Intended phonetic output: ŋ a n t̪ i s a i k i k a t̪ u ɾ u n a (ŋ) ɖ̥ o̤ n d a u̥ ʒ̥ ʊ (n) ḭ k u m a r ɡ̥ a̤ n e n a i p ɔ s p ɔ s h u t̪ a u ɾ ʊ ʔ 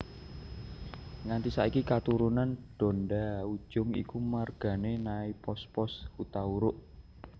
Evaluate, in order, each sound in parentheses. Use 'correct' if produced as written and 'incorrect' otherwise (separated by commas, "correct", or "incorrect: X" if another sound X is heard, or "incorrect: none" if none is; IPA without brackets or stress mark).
incorrect: n, incorrect: ŋ